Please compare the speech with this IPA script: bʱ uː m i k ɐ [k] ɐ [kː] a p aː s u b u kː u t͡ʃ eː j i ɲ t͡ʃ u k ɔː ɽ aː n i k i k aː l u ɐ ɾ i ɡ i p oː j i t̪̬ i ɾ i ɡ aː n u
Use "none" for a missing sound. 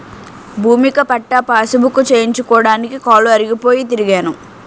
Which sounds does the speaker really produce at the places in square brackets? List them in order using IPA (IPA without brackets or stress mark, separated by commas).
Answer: p, ʈː